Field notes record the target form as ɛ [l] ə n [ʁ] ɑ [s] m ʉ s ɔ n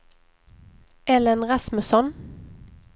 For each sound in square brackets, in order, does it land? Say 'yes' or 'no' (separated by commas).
yes, yes, yes